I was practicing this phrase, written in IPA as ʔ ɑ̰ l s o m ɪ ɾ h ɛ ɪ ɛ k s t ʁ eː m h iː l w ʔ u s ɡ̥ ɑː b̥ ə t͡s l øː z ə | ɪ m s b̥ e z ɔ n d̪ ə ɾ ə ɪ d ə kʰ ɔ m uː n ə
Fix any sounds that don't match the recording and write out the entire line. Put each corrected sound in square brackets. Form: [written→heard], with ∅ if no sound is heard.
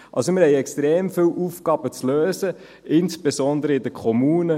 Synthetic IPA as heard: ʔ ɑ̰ l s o m ɪ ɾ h ɛ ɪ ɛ k s t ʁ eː m [h→f] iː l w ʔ u [s→f] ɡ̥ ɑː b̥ ə t͡s l øː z ə | ɪ [m→n] s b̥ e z ɔ n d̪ ə ɾ ə ɪ d ə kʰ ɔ m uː n ə